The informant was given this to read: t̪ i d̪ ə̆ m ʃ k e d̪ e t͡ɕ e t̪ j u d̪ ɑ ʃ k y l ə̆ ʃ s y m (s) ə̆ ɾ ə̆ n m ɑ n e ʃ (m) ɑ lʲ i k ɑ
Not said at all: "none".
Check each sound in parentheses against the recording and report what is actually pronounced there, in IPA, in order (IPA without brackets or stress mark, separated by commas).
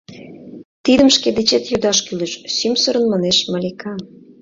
s, m